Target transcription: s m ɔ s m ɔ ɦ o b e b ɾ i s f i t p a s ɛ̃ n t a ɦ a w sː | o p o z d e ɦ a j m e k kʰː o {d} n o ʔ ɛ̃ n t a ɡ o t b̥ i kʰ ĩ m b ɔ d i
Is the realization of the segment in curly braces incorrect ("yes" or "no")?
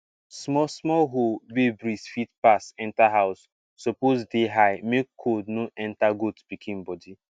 no